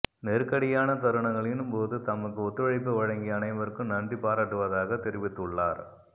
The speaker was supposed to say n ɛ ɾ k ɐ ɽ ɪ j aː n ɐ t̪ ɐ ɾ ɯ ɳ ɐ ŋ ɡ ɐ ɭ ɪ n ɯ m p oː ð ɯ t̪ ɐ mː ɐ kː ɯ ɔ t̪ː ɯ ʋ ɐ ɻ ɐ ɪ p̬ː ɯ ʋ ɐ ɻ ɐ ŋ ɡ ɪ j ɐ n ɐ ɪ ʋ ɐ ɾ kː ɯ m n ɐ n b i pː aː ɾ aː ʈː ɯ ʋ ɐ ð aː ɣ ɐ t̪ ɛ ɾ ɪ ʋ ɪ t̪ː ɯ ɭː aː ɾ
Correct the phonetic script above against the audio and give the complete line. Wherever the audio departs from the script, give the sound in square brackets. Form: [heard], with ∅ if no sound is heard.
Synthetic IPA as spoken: n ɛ ɾ k ɐ ɽ ɪ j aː n ɐ t̪ ɐ ɾ ɯ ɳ ɐ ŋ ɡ ɐ ɭ ɪ n ɯ m p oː ð ɯ t̪ ɐ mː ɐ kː ɯ ɔ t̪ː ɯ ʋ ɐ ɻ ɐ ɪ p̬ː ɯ ʋ ɐ ɻ ɐ ŋ ɡ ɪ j ɐ n ɐ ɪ ʋ ɐ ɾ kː ɯ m n ɐ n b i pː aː ɾ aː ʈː ɯ ʋ ɐ ð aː ɣ ɐ t̪ ɛ ɾ ɪ ʋ ɪ t̪ː ɯ ɭː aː ɾ